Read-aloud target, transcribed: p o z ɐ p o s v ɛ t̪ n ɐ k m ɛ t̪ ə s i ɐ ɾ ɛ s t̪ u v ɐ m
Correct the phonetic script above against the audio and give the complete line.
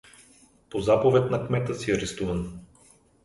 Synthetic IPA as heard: p o z a p o v ɛ t̪ n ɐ k m ɛ t̪ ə s i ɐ ɾ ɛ s t̪ u v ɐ n